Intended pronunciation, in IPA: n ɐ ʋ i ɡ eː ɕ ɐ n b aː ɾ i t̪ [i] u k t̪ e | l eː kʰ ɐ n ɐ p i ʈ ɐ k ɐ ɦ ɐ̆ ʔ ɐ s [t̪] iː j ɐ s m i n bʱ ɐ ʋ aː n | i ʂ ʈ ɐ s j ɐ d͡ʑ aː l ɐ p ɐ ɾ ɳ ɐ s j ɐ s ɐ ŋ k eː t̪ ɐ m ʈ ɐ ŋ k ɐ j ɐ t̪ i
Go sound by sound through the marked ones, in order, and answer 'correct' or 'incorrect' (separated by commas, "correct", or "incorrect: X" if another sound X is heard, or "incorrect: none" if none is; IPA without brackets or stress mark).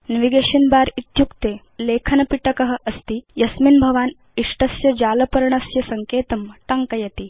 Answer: incorrect: j, correct